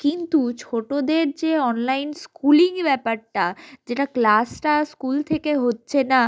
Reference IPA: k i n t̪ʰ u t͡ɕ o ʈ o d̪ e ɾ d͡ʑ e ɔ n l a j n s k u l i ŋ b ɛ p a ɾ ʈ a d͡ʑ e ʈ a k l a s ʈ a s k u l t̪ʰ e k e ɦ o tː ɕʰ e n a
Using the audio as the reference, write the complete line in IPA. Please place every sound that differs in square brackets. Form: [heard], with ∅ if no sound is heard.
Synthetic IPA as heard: k i n [t̪] u [t͡ɕʰ] o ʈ o d̪ e ɾ d͡ʑ e ɔ n l a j n s k u l i ŋ b ɛ p a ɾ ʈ a d͡ʑ e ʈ a k l a s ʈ a s k u l t̪ʰ e k e ɦ o tː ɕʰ e n a